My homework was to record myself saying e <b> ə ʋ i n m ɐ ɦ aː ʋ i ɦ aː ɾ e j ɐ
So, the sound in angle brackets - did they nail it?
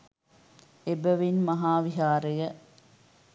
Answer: yes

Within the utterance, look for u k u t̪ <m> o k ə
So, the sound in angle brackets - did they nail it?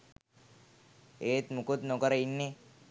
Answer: no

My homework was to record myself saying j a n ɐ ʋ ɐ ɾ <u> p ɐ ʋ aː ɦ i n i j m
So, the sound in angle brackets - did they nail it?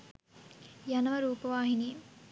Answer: no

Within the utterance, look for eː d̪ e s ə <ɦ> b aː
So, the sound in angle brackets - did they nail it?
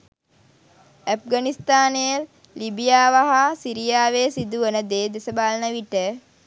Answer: no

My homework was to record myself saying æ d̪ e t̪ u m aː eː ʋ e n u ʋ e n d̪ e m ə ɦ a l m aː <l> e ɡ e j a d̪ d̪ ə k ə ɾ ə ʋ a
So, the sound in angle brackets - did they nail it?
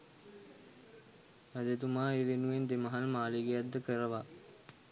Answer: yes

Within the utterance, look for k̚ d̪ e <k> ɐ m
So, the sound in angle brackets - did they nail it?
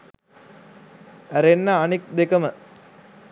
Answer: yes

